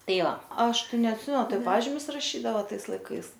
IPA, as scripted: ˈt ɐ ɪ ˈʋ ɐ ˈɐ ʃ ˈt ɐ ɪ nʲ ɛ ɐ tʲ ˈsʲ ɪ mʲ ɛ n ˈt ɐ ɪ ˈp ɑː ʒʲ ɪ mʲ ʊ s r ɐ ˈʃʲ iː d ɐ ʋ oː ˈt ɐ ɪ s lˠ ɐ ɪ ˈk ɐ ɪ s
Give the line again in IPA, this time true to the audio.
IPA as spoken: ˈt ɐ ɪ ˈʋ ɐ ˈɐ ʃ ˈt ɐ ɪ nʲ ɛ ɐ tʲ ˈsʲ ɪ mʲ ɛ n ˈt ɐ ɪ ˈp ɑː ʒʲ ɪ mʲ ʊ s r ɐ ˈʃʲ iː d ɐ ʋ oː ˈt ɐ ɪ s lˠ ɐ ɪ ˈk ɐ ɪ s

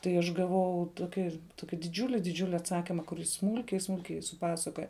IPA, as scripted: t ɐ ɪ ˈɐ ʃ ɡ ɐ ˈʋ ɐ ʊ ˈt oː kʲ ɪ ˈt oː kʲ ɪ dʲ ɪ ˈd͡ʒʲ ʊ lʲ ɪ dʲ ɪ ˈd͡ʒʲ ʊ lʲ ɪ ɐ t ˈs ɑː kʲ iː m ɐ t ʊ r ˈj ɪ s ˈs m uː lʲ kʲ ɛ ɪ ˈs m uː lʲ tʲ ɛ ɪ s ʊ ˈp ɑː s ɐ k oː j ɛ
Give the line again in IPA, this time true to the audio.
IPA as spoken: t ɐ ɪ ˈɐ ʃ ɡ ɐ ˈʋ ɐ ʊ ˈt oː kʲ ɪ ˈt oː kʲ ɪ dʲ ɪ ˈd͡ʒʲ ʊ lʲ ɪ dʲ ɪ ˈd͡ʒʲ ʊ lʲ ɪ ɐ t ˈs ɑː kʲ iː m ɐ k ʊ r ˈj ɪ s ˈs m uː lʲ kʲ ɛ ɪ ˈs m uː lʲ kʲ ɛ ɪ s ʊ ˈp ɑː s ɐ k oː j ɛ

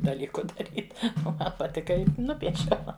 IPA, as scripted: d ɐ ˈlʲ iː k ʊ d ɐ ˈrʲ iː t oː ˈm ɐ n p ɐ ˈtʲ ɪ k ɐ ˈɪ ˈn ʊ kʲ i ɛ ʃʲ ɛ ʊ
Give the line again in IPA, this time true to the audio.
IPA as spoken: d ɐ ˈlʲ iː k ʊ d ɐ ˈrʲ iː t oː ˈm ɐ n p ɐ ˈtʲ ɪ k ɐ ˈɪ ˈn ʊ pʲ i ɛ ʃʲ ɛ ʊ

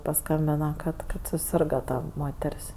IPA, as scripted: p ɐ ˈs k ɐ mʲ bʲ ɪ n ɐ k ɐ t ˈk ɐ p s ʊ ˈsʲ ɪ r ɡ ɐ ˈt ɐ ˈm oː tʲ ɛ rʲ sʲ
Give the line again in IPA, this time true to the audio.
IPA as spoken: p ɐ ˈs k ɐ mʲ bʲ ɪ n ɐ k ɐ t ˈk ɐ t s ʊ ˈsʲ ɪ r ɡ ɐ ˈt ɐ ˈm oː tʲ ɛ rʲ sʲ

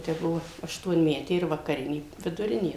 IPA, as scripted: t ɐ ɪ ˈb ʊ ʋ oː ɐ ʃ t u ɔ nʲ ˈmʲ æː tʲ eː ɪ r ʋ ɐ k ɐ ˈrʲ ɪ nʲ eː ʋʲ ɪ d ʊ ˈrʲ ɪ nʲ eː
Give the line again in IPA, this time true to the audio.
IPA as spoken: t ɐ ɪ ˈb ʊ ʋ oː ɐ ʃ t u ɔ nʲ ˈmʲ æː tʲ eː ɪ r ʋ ɐ k ɐ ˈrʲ ɪ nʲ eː ʋʲ ɪ d ʊ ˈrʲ ɪ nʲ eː

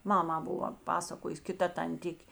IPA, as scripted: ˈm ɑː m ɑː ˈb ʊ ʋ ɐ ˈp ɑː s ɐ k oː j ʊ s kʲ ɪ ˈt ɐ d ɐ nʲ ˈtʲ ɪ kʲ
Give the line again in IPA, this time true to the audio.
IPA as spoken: ˈm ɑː m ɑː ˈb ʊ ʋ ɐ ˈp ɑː s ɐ k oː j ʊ s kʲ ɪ ˈt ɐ t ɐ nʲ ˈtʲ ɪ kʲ

